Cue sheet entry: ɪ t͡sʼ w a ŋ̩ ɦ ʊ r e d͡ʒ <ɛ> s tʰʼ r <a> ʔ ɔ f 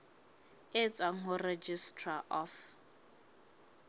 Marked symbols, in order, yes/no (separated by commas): no, yes